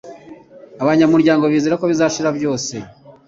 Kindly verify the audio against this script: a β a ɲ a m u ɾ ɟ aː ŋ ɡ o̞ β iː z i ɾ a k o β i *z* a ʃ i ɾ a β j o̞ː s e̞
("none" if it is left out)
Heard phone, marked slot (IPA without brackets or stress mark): z